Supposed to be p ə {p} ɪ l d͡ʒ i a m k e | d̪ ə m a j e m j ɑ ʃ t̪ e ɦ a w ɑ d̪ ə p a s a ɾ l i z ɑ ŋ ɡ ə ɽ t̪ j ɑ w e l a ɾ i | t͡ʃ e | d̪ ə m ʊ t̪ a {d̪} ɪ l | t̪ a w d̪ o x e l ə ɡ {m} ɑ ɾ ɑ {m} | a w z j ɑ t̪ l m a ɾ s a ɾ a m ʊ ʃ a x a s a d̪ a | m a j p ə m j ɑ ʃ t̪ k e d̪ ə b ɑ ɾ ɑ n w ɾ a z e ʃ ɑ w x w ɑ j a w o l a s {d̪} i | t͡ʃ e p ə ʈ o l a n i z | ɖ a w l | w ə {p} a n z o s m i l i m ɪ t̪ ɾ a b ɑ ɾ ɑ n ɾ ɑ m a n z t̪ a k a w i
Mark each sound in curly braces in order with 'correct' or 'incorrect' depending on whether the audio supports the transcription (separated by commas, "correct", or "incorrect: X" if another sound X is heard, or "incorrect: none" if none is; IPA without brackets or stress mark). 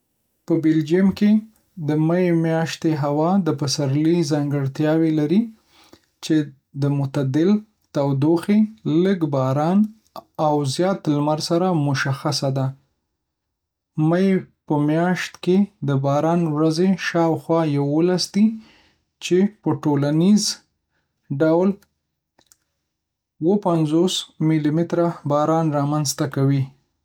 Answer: incorrect: b, correct, incorrect: b, incorrect: n, correct, correct